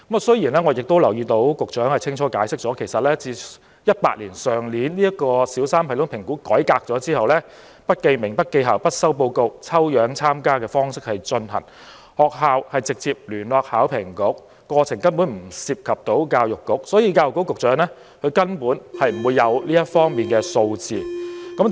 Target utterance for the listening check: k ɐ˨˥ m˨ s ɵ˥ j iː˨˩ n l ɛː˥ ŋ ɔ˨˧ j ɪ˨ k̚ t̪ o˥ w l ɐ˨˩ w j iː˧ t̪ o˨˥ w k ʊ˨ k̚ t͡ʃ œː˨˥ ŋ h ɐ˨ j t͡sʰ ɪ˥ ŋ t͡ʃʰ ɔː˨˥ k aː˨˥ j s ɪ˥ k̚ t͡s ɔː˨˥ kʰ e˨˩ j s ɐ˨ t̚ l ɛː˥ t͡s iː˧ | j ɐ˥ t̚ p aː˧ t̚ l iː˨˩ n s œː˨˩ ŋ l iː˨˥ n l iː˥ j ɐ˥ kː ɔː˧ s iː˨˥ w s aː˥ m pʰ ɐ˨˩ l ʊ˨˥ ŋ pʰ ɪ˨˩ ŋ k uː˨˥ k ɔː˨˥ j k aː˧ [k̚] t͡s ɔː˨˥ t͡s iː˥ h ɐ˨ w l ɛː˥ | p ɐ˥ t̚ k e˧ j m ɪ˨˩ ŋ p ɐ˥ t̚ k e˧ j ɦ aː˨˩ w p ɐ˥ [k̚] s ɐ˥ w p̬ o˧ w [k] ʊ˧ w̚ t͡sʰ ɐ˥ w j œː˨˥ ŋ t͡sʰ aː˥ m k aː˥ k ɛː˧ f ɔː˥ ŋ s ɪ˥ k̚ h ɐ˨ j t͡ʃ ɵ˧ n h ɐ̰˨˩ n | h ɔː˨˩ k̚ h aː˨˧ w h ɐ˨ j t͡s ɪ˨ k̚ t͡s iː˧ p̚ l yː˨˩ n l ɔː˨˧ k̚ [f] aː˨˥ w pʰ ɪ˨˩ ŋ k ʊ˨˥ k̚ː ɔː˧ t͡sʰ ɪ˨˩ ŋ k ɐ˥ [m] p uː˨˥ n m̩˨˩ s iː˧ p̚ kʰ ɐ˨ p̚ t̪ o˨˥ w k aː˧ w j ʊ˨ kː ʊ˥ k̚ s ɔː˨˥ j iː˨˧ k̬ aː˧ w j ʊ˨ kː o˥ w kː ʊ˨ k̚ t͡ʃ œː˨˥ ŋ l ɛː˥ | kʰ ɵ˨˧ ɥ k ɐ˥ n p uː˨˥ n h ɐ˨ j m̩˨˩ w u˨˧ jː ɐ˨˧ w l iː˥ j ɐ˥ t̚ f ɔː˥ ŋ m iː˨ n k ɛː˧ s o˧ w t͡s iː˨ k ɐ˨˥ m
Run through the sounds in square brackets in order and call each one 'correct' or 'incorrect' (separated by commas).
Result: correct, incorrect, correct, incorrect, incorrect